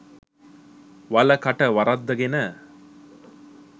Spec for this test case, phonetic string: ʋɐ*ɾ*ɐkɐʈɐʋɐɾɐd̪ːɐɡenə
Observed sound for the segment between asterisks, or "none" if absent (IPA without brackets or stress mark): l